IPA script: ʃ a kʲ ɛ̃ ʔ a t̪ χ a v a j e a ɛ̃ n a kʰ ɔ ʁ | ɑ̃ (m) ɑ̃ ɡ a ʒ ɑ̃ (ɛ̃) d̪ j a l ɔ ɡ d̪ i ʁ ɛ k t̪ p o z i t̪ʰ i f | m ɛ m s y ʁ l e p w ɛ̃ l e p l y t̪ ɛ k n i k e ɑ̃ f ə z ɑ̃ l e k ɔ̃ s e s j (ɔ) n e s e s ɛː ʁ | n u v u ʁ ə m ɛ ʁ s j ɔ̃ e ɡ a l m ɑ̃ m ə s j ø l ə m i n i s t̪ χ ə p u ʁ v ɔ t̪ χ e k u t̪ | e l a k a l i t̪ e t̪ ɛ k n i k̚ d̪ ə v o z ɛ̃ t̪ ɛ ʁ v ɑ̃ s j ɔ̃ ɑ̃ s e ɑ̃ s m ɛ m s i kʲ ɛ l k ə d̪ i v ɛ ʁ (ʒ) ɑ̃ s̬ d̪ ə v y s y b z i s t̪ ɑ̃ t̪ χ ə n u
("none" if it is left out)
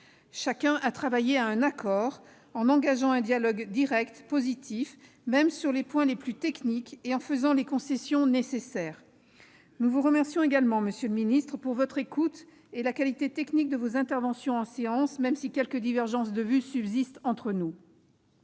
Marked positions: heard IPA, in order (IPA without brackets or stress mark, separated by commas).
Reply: n, ɛ̃, ɔ̃, ʒ